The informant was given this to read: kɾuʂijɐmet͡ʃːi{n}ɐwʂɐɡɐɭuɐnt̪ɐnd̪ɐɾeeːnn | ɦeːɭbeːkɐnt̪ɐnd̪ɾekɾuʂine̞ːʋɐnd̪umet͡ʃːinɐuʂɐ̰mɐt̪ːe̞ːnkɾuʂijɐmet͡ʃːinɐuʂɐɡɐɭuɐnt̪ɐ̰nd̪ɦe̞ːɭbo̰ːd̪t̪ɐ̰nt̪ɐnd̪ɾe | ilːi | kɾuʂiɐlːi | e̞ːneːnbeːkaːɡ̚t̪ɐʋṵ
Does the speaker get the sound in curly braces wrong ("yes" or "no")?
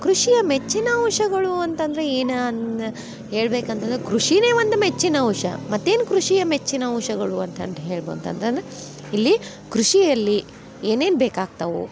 no